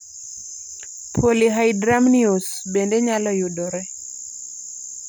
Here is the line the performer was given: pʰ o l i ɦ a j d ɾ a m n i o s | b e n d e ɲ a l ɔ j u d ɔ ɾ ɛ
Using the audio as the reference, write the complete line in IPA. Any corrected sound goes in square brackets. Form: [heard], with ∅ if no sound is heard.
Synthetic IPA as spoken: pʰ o l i ɦ a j d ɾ a m n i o s | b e n d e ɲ a l ɔ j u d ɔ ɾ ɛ